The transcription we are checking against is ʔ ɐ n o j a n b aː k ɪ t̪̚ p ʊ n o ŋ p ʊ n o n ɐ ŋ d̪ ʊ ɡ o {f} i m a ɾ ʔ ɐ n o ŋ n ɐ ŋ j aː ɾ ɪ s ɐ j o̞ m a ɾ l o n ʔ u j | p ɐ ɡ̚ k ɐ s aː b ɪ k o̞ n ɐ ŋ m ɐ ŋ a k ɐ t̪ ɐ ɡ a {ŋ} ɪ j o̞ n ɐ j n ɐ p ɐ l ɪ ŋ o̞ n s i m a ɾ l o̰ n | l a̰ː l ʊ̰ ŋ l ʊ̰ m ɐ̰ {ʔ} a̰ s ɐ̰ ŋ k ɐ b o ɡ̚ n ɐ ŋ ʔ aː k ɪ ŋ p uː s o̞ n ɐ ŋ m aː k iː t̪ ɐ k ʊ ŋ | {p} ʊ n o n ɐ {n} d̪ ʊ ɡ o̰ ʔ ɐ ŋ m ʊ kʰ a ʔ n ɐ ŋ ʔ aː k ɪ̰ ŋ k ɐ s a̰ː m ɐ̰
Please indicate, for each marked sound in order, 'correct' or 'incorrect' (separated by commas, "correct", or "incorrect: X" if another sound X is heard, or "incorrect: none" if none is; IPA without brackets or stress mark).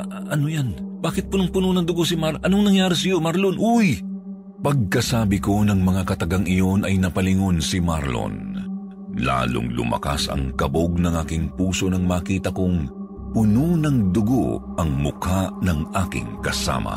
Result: incorrect: s, correct, incorrect: k, correct, incorrect: ŋ